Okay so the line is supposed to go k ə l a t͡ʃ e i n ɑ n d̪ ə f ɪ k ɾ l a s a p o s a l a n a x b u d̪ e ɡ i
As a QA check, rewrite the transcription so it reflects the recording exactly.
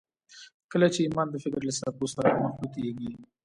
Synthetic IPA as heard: k ə l a t͡ʃ e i m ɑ n d̪ ə f ɪ k ɾ l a s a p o s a ɾ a m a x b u t̪ e ɡ i